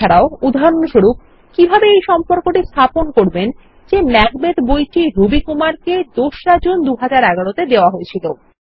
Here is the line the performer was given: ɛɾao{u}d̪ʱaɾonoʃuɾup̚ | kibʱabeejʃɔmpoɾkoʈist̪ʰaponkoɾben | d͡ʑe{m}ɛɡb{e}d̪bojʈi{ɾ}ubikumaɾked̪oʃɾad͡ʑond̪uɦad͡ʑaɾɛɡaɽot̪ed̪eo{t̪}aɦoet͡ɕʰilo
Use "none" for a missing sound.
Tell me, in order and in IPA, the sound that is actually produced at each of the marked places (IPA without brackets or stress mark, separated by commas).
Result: u, m, e, ɾ, none